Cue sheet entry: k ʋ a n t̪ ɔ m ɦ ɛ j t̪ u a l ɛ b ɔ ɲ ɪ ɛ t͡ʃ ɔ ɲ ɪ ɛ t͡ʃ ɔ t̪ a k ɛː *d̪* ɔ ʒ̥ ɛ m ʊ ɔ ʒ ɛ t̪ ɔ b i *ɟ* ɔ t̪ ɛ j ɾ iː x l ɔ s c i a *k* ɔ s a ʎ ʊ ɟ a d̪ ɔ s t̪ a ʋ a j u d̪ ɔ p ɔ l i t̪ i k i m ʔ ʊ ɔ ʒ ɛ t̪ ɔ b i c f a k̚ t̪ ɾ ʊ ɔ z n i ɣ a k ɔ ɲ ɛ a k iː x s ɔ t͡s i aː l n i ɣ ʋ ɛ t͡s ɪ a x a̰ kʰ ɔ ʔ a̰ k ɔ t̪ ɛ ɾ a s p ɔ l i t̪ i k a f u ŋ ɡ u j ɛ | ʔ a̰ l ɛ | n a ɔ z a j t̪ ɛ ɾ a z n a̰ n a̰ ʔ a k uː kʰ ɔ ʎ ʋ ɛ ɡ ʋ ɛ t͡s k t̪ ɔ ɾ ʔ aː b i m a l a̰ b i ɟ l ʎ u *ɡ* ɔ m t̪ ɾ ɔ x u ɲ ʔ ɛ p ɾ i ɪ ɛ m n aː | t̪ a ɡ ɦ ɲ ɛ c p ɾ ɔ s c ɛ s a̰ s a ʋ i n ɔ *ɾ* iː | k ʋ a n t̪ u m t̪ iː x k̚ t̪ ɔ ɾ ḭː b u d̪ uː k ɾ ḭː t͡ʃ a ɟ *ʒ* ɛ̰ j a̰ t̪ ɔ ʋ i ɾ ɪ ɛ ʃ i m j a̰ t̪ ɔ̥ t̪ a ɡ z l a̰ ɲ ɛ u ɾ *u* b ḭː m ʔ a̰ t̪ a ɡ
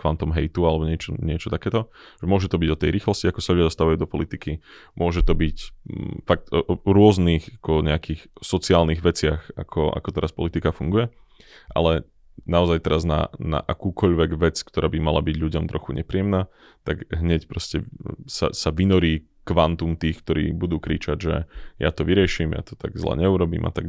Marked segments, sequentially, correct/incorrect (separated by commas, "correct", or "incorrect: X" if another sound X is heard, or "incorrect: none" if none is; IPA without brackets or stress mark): incorrect: t̪, correct, correct, incorrect: ɟ, correct, correct, incorrect: ɔ